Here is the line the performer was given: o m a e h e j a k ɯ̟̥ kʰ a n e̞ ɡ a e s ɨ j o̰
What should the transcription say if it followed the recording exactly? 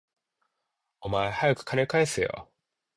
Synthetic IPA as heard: o m a e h a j a k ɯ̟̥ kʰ a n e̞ k a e s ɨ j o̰